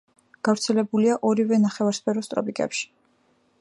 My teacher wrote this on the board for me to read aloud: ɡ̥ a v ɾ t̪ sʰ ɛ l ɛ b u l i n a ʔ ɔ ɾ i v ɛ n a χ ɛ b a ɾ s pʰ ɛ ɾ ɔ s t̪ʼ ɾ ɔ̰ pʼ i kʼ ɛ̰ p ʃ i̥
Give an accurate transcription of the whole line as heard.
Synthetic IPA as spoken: ɡ̥ a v ɾ t̪ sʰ ɛ l ɛ b u l i a ʔ ɔ ɾ i v ɛ n a χ ɛ v a ɾ s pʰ ɛ ɾ ɔ s t̪ʼ ɾ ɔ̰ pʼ i kʼ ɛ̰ p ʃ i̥